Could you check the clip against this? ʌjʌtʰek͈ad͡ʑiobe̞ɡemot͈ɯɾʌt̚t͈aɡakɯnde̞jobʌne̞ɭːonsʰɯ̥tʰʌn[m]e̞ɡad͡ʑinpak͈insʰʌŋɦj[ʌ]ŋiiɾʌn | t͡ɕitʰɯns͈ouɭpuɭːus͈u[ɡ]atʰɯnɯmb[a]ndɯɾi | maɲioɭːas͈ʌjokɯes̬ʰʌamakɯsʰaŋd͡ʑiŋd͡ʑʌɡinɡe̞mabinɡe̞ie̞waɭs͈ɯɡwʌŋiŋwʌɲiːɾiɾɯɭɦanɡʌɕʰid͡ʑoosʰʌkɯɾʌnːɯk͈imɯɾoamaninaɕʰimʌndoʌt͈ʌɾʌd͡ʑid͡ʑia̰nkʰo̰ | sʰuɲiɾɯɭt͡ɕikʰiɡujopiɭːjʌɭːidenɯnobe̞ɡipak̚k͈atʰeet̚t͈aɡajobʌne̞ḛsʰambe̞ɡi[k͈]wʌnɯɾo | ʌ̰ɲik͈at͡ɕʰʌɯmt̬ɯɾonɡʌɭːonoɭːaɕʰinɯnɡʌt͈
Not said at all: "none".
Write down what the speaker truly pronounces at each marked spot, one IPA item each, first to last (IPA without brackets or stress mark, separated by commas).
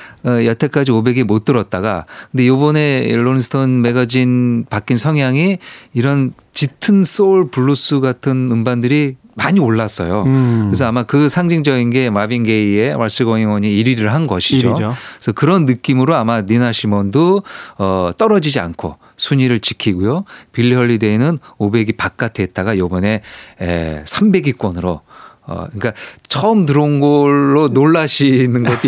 m, a, ɡ, a, k͈